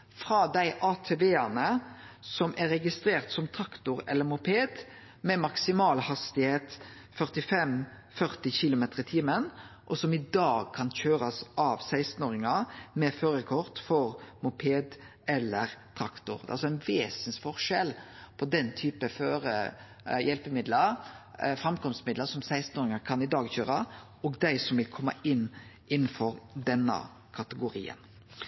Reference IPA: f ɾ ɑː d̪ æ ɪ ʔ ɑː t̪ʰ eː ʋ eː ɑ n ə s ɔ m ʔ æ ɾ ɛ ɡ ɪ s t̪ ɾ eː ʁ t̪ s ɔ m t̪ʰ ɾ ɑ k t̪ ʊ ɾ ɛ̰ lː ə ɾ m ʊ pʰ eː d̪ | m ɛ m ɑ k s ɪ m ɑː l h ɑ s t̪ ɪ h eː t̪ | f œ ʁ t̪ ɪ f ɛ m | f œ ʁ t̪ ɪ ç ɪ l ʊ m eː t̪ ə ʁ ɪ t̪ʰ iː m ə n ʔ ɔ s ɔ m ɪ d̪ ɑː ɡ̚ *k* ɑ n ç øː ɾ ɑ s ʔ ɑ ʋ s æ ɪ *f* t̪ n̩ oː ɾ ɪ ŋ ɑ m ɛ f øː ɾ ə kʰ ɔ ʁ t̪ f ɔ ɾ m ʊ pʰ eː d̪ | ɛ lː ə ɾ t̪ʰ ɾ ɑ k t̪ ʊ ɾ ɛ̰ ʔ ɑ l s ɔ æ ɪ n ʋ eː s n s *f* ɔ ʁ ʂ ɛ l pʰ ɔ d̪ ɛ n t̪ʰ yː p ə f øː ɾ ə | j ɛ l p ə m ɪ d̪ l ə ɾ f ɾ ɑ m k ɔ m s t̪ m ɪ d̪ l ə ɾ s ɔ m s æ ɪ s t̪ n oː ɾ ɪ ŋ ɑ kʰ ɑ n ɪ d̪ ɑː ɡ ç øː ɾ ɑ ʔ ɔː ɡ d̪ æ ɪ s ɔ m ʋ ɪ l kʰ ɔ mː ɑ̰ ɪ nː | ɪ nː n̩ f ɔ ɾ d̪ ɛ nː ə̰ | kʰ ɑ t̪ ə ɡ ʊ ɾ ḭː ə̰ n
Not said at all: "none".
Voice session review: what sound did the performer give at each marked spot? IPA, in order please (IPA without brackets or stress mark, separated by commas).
kʰ, s, f